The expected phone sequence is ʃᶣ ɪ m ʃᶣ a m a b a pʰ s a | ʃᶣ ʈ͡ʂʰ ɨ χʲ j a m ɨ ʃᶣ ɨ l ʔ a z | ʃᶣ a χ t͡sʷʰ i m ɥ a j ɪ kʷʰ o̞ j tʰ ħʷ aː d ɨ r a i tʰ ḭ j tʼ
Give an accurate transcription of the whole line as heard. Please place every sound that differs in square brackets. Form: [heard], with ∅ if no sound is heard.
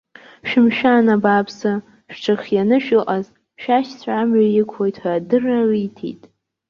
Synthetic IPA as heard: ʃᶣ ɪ m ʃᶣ a [n] a b a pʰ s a | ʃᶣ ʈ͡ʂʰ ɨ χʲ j a [n] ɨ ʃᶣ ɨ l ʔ a z | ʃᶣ a [ʃ] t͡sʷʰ [a] m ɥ a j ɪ kʷʰ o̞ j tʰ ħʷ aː d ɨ r a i tʰ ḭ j tʼ

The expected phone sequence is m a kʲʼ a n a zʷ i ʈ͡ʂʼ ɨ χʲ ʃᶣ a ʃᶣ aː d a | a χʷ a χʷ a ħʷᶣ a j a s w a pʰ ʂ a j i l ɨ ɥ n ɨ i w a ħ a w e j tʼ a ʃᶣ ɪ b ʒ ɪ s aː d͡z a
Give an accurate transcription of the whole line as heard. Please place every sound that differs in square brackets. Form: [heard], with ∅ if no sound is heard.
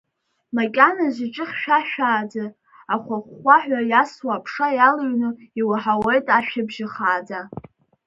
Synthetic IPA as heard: m a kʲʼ a n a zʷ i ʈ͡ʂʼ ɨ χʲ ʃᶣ a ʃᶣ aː [d͡z] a | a χʷ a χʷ a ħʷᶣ a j a s w a pʰ ʂ a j [a] l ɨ ɥ n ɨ i w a ħ a w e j tʼ a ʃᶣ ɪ b ʒ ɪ [χ] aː d͡z a

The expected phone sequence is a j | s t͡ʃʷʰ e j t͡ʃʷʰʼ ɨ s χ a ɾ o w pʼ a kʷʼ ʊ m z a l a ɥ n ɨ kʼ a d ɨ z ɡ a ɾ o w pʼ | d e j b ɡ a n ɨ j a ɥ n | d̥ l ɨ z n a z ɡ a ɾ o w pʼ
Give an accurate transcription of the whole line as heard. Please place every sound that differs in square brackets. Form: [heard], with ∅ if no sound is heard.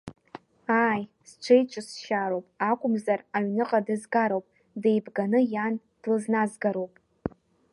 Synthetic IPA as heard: a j | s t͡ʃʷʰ e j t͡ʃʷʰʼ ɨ s [ʃ] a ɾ o w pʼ a kʷʼ ʊ m z a [r] a ɥ n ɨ [qʼ] a d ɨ z ɡ a ɾ o w pʼ | d e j b ɡ a n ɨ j a [∅] n | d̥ l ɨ z n a z ɡ a ɾ o w pʼ

